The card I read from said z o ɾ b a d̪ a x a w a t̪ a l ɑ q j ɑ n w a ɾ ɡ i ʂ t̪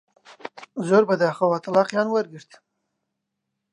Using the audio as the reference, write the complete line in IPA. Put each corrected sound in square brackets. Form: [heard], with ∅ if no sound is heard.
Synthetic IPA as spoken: z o ɾ b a d̪ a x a w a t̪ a l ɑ q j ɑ n w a ɾ ɡ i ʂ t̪